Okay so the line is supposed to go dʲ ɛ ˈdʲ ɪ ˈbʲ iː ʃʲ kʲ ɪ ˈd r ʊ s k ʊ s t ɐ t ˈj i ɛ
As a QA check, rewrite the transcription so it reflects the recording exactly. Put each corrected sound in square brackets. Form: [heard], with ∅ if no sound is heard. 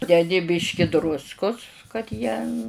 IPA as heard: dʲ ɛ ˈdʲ ɪ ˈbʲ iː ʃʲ kʲ ɪ ˈd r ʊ s k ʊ s [k] ɐ t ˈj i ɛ